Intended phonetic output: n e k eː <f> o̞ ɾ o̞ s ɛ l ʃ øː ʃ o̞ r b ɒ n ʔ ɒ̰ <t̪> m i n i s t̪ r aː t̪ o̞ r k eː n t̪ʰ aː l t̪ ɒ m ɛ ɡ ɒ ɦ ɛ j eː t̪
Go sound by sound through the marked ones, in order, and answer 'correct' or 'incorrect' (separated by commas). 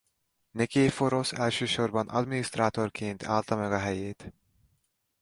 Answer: correct, incorrect